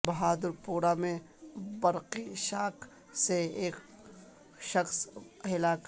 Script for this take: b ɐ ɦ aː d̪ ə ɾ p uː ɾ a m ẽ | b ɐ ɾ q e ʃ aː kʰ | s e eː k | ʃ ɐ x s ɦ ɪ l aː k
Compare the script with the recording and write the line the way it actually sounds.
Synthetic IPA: b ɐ ɦ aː d̪ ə ɾ p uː ɾ a m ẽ | b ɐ ɾ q i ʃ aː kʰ | s e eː k | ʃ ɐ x s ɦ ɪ l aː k